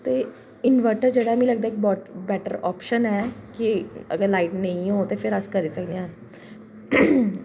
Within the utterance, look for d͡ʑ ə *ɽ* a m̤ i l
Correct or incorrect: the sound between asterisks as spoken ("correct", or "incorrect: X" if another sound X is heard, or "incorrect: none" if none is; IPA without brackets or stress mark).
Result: correct